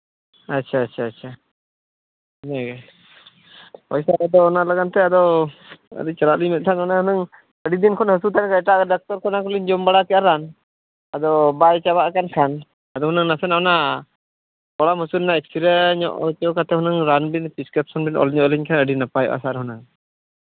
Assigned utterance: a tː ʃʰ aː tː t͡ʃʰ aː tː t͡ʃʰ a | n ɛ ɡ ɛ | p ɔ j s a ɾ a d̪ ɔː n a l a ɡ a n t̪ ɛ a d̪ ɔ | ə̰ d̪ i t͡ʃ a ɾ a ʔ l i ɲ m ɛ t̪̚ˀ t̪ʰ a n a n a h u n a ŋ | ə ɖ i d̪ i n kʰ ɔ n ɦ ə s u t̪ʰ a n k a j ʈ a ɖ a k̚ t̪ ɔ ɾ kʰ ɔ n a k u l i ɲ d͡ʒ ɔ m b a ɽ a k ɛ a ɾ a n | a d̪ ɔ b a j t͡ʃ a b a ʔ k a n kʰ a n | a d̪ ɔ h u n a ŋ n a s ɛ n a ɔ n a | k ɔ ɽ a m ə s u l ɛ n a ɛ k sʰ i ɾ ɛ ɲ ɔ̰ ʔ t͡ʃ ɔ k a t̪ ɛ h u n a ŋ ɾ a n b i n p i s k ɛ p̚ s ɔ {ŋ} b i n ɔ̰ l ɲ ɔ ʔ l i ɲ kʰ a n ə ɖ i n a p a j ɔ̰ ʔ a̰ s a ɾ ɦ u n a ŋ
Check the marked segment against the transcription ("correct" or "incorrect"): incorrect